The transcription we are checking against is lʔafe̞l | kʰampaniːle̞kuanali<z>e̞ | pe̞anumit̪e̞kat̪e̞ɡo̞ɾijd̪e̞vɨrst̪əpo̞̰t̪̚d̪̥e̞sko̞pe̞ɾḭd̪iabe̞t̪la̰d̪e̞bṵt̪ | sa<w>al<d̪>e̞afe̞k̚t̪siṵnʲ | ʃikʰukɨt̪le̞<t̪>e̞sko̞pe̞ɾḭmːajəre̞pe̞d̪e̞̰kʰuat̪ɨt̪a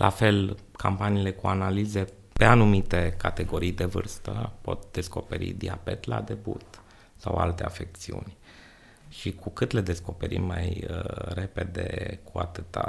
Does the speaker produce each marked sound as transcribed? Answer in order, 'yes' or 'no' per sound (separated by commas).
yes, yes, no, no